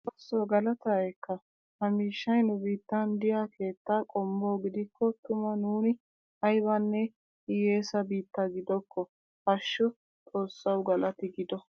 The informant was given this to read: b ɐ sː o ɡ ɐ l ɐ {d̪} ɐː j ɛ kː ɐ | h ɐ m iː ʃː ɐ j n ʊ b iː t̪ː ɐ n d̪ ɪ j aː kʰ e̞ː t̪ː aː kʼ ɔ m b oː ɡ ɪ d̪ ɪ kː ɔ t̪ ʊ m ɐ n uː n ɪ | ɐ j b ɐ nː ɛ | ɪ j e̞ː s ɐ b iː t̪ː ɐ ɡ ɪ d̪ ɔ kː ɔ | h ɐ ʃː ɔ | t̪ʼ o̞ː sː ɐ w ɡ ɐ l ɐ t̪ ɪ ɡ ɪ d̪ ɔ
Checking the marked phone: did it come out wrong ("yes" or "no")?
yes